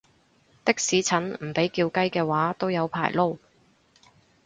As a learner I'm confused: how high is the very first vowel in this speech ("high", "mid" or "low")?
high